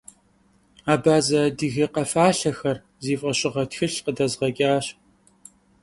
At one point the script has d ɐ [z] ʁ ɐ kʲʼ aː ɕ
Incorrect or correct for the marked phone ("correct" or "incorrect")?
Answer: correct